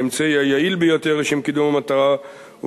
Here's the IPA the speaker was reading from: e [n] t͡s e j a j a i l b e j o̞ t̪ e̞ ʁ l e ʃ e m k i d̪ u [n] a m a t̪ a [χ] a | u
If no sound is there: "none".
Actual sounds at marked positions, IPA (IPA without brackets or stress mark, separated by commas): m, m, ʁ